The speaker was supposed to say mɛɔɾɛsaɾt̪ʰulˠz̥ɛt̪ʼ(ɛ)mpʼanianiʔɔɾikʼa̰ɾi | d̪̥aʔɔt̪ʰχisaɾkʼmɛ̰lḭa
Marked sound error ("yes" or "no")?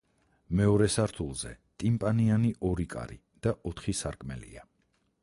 yes